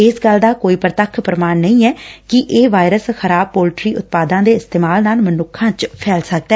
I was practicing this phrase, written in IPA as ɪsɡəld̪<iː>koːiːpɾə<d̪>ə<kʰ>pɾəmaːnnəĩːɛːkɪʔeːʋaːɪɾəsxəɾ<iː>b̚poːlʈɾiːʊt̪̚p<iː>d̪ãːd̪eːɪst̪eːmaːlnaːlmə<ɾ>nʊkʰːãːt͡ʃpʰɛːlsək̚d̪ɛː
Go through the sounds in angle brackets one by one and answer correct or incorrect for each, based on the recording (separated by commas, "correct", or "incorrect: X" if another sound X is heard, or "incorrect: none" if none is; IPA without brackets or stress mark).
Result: incorrect: aː, incorrect: t̪, correct, incorrect: aː, incorrect: aː, incorrect: none